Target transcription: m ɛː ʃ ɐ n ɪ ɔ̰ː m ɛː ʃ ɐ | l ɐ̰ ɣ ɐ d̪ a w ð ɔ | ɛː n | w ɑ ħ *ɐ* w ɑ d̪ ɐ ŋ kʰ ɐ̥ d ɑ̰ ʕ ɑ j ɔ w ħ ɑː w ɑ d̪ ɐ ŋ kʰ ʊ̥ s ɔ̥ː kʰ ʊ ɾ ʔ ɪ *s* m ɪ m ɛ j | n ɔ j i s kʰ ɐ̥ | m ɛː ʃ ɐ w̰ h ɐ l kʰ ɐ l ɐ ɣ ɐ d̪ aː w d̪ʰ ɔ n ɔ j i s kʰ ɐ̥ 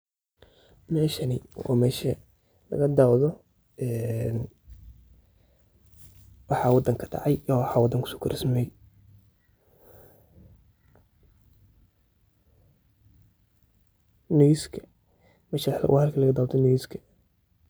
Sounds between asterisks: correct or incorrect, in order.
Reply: incorrect: ɑ, correct

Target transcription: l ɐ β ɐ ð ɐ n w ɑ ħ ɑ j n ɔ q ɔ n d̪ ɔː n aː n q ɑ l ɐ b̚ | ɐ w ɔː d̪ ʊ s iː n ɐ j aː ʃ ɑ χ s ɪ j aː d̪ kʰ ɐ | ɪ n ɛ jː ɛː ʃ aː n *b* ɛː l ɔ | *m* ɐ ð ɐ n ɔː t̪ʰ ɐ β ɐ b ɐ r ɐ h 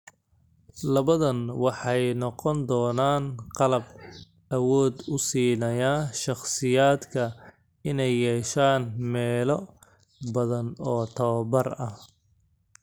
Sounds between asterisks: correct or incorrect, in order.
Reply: incorrect: m, incorrect: b

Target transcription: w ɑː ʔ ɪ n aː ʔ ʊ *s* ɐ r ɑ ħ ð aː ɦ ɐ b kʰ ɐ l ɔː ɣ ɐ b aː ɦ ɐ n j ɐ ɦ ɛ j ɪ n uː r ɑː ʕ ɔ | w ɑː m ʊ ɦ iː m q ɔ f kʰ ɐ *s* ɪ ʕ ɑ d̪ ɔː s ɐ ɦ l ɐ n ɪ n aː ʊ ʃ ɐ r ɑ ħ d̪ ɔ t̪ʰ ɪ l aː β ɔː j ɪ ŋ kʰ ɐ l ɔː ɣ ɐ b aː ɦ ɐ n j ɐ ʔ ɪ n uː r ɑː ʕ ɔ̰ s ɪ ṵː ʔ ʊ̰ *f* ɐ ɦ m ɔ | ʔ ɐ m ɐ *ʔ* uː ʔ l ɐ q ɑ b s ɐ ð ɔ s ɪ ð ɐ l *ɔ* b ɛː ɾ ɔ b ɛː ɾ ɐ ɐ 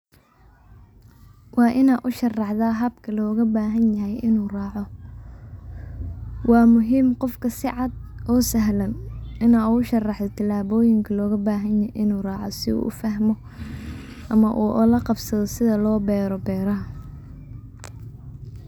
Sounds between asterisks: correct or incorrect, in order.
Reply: incorrect: ʃ, correct, correct, correct, incorrect: ɔː

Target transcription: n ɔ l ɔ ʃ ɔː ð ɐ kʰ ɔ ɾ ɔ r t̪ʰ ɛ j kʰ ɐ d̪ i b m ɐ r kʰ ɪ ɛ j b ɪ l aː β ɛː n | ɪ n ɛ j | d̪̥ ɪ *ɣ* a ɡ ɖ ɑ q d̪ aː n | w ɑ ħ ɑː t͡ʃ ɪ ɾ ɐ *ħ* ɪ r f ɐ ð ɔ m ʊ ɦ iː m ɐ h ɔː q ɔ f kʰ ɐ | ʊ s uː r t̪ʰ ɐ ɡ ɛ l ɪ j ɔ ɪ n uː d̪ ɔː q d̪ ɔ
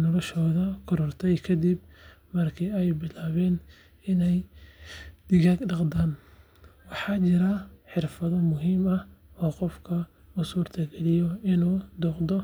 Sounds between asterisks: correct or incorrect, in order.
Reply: correct, correct

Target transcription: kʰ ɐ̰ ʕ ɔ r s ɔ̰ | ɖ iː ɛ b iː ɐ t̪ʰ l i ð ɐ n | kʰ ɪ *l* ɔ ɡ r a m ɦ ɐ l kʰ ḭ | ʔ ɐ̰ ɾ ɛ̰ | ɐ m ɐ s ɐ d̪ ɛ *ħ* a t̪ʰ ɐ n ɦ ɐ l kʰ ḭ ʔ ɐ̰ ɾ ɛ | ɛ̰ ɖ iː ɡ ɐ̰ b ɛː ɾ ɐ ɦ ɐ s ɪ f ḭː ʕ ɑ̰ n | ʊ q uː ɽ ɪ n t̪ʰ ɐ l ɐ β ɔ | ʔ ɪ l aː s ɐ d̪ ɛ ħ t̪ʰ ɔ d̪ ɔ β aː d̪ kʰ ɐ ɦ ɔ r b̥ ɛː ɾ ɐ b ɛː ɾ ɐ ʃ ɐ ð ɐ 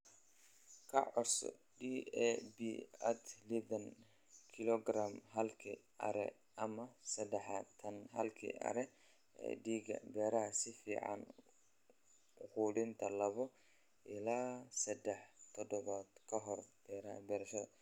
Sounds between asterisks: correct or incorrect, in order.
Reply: correct, correct

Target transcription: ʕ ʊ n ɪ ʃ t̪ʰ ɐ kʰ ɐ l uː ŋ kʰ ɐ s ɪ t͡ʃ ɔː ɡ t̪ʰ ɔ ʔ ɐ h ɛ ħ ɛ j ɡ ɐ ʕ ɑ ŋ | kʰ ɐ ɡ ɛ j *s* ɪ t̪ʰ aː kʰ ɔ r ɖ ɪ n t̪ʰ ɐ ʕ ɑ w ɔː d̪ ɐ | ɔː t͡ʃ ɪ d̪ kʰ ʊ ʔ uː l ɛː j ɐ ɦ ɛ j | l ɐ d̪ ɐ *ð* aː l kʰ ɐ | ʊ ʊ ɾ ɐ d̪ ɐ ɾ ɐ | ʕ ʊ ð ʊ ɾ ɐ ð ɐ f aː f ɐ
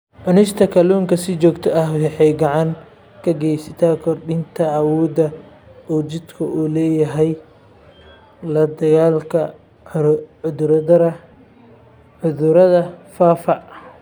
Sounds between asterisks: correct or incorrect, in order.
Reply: correct, incorrect: ɣ

